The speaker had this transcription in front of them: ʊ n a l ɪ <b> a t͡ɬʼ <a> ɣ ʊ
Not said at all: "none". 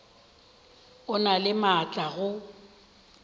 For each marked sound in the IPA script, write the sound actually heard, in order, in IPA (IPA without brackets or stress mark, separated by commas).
m, a